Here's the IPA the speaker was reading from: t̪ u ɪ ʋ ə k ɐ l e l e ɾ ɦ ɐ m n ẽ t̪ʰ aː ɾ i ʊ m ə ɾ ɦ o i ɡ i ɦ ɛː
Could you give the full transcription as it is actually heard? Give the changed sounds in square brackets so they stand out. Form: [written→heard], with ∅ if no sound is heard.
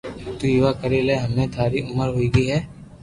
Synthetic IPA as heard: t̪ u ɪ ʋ [ə→a] k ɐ [l→ɾ] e l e [ɾ→∅] ɦ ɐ m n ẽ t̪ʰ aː ɾ i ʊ m ə ɾ ɦ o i ɡ i ɦ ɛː

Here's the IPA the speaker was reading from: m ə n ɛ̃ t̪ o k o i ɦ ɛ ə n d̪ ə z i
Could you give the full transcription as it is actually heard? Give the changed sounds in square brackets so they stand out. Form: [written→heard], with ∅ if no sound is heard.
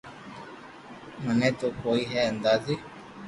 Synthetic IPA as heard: m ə n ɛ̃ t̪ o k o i ɦ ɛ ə n d̪ [ə→a] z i

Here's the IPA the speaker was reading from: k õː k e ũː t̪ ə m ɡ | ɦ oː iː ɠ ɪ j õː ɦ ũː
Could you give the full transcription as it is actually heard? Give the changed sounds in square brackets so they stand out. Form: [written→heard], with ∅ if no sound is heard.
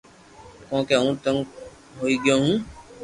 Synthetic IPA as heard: k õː k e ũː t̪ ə [m→ŋ] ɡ | ɦ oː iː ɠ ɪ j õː ɦ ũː

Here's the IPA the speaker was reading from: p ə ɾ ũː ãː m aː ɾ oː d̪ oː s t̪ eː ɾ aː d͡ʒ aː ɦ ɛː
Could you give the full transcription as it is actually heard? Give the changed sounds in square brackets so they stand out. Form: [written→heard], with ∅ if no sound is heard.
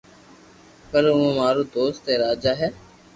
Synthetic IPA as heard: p ə ɾ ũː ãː m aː ɾ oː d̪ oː s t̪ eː ɾ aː d͡ʒ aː ɦ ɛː

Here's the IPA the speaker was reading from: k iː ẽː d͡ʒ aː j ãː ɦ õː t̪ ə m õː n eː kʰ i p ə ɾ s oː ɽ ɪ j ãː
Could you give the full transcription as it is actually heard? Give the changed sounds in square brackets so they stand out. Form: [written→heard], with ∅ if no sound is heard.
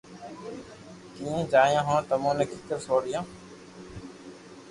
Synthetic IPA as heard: k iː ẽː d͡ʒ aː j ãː ɦ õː t̪ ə m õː n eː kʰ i [p→k] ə ɾ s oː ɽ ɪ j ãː

